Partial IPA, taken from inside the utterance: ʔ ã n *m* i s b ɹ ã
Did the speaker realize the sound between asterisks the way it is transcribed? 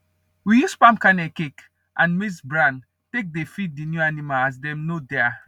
yes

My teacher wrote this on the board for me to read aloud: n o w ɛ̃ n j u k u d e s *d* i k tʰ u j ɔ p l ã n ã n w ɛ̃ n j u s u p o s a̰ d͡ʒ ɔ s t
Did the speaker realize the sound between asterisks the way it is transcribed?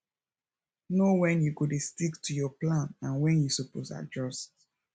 no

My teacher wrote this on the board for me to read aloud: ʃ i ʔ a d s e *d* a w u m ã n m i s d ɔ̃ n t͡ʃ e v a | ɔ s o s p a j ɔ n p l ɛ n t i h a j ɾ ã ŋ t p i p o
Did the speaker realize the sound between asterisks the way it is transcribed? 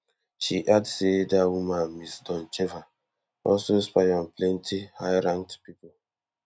yes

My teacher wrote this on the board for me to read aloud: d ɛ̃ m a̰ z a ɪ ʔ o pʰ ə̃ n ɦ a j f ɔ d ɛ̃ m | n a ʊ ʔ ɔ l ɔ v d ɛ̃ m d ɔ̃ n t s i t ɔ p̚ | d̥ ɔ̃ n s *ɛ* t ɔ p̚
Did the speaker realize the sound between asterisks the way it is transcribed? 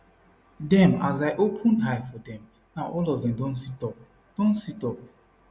no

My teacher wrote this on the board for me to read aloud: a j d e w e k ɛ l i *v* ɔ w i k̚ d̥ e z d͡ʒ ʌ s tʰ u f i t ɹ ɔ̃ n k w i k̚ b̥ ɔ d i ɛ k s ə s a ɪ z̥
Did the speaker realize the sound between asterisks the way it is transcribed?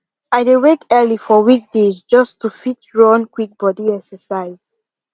no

